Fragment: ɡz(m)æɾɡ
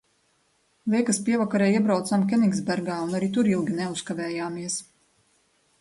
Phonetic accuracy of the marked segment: incorrect: b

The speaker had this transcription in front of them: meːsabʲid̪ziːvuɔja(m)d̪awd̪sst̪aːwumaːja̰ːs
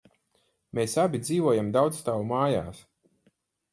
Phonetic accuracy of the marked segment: correct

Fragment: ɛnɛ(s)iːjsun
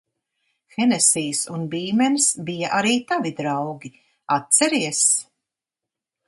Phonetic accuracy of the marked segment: correct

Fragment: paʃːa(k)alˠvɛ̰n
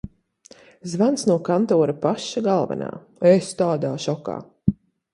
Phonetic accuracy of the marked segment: incorrect: ɡ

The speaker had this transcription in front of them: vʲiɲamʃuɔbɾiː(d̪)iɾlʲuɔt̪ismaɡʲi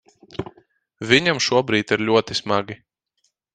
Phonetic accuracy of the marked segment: incorrect: t̪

